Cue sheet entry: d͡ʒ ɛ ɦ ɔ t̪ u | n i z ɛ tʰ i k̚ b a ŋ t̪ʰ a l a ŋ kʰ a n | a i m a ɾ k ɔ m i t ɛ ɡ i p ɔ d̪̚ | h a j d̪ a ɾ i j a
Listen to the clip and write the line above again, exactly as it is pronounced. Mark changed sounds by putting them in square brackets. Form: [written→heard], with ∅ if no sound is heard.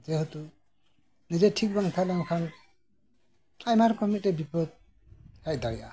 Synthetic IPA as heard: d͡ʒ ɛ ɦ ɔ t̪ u | n i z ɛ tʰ i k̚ b a ŋ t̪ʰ a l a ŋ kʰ a n | a [i→j] m a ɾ k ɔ m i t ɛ [ɡ→b] i p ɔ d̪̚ | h a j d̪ a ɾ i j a